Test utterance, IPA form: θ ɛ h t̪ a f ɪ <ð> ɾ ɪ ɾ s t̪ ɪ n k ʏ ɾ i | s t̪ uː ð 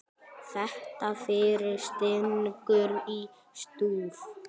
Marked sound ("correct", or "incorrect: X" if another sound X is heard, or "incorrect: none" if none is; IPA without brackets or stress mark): incorrect: none